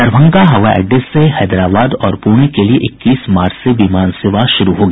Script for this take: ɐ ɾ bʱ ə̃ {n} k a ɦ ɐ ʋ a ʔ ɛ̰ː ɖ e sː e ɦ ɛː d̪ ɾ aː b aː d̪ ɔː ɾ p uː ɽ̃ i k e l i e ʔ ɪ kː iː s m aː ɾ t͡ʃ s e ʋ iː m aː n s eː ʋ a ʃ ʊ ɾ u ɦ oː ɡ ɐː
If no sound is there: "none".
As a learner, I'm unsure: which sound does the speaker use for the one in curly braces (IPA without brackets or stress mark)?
ŋ